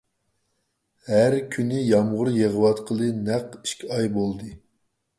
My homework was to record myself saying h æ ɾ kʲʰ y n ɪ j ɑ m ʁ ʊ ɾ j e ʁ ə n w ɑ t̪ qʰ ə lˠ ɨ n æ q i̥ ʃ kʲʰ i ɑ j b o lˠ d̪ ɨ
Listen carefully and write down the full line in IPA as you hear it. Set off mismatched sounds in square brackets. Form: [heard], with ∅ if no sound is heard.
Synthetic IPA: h æ ɾ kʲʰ y n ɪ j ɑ m ʁ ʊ ɾ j e ʁ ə [∅] w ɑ t̪ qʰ ə lˠ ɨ n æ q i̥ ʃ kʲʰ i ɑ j b o lˠ d̪ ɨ